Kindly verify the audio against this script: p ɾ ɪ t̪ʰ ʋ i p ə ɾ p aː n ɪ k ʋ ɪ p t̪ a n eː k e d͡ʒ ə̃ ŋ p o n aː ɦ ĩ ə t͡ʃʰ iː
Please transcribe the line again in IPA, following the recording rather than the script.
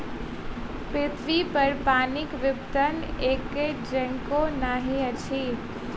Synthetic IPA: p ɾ ɪ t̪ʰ ʋ i p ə ɾ p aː n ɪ k ʋ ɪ p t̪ ə n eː k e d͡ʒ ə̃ ŋ k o n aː ɦ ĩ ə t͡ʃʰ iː